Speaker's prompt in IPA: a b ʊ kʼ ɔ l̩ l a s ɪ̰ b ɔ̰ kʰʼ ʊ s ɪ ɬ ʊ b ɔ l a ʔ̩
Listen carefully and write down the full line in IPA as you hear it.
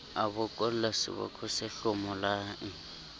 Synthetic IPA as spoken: a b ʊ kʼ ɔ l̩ l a s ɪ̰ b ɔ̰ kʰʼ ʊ s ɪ ɬ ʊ m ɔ l a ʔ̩